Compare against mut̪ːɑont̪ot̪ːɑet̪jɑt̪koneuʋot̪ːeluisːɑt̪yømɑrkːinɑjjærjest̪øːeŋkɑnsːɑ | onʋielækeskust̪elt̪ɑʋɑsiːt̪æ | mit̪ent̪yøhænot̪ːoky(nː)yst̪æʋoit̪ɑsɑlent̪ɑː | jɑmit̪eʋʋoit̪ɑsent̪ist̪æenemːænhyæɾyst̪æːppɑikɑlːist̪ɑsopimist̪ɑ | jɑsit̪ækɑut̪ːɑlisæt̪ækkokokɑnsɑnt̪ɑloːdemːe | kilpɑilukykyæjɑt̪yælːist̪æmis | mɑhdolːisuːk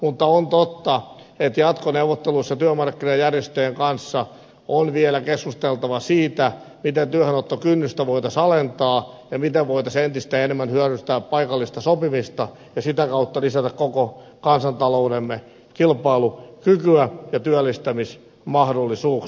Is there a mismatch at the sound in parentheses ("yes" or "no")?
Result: no